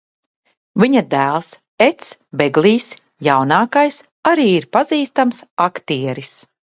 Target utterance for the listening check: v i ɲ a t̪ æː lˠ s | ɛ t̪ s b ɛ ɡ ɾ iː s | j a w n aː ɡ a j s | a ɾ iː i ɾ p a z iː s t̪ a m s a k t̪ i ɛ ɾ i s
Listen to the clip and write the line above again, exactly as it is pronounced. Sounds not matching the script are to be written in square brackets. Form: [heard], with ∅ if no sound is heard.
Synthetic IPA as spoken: v i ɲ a [d̪] æː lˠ s | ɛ t̪ s b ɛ ɡ [l] iː s | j a w n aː [k] a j s | a ɾ iː i ɾ p a z iː s t̪ a m s a k t̪ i ɛ ɾ i s